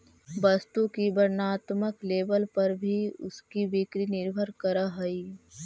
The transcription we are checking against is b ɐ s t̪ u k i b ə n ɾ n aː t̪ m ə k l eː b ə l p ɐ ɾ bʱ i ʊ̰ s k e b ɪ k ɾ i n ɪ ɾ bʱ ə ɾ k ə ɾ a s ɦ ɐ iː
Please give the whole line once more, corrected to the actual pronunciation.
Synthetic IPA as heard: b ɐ s t̪ u k i b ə ɾ n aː t̪ m ə k l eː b ə l p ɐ ɾ bʱ i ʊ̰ s k i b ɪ k ɾ i n ɪ ɾ bʱ ə ɾ k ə ɾ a ɦ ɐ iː

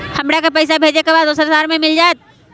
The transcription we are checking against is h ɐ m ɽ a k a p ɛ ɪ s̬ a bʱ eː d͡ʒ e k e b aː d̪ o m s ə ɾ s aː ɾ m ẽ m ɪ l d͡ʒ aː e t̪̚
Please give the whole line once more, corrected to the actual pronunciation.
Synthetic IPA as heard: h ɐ m ɽ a k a p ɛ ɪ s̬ a bʱ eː d͡ʒ e k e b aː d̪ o s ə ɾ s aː ɾ m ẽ m ɪ l d͡ʒ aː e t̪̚

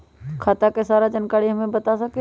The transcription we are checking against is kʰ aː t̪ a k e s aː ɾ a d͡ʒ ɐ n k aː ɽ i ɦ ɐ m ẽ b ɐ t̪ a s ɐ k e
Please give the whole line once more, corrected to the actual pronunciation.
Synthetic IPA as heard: kʰ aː t̪ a k e s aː ɾ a d͡ʒ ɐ n k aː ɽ i ɦ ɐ m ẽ b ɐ t̪ a s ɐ k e

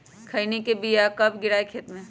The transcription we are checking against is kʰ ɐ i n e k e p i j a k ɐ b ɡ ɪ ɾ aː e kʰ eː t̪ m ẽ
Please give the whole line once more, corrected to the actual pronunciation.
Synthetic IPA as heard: kʰ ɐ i n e k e b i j a k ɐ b ɡ ɪ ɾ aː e kʰ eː t̪ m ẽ

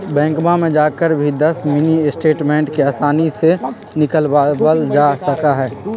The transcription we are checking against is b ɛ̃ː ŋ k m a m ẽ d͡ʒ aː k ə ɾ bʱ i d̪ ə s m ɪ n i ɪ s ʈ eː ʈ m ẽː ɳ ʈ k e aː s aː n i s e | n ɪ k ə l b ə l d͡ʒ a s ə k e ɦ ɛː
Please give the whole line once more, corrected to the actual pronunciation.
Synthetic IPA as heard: b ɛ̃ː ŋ k m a m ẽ d͡ʒ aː k ə ɾ bʱ i d̪ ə s m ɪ n i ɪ s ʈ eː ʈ m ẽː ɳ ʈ k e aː s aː n i s e | n ɪ k ə l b ə l d͡ʒ a s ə k a ɦ ɛː

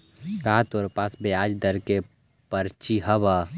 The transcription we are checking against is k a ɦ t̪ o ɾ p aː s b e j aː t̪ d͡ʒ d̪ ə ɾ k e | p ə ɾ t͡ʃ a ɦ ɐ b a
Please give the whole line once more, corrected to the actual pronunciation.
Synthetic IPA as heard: k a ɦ t̪ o ɾ p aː s b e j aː d͡ʒ d̪ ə ɾ k e | p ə ɾ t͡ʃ i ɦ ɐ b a

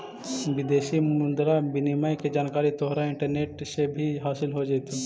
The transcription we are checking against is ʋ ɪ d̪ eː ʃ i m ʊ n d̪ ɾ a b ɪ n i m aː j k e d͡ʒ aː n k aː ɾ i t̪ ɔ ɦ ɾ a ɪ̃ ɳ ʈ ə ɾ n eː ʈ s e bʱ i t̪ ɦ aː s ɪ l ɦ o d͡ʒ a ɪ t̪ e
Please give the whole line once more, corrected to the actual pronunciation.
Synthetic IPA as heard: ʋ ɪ d̪ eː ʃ i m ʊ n d̪ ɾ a b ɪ n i m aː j k e d͡ʒ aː n k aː ɾ i t̪ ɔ ɦ ɾ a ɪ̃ ɳ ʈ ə ɾ n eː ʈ s e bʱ i ɦ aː s ɪ l ɦ o d͡ʒ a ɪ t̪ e

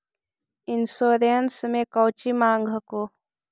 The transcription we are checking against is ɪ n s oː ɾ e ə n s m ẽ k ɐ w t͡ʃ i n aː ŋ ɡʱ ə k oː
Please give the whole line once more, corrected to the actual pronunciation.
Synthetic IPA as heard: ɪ n s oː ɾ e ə n s m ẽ k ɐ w t͡ʃ i m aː ŋ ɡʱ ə k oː

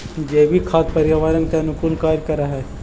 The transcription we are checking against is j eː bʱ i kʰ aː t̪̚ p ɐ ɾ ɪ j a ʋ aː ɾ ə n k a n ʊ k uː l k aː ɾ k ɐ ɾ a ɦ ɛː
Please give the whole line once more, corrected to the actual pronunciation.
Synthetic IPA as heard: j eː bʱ i kʰ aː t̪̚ p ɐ ɾ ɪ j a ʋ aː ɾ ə n k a n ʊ k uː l k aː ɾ k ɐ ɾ a ɦ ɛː

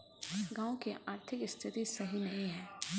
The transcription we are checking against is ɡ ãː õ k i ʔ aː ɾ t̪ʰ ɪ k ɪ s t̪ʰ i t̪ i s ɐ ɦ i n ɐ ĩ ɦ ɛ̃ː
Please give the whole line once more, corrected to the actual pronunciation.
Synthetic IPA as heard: ɡ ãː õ k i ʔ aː ɾ t̪ʰ ɪ k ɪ s t̪ʰ ɪ t̪ i s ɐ ɦ i n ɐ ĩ ɦ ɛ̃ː

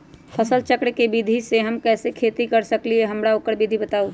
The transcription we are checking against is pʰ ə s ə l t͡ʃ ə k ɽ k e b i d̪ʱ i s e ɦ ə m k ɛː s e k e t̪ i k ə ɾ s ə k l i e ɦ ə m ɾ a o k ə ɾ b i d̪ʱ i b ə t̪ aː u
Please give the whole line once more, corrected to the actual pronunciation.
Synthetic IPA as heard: pʰ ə s ə l t͡ʃ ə k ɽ k e b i d̪ʱ i s e ɦ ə m k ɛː s e kʰ e t̪ i k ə ɾ s ə k l i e ɦ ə m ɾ a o k ə ɾ b i d̪ʱ i b ə t̪ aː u

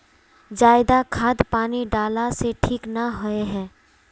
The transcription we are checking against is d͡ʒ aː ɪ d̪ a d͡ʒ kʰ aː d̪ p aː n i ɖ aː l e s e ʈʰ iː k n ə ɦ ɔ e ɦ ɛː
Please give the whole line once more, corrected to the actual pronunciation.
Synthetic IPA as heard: d͡ʒ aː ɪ d̪ a kʰ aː d̪ p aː n i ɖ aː l a s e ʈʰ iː k n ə ɦ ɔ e ɦ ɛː

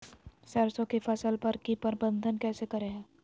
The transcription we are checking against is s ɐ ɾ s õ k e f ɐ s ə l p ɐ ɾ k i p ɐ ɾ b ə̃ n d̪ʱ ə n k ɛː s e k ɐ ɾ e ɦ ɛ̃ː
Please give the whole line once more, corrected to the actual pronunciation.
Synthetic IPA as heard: s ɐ ɾ s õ k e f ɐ s ə l p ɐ ɾ k i p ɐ ɾ b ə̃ n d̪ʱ ə n k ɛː s e k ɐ ɾ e ɦ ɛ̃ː

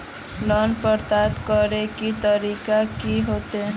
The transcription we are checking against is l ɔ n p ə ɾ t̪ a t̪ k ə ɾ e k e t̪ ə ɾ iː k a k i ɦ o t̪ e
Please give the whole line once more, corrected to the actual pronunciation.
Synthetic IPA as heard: l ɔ n p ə ɾ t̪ a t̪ k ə ɾ e k i t̪ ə ɾ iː k a k i ɦ o t̪ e

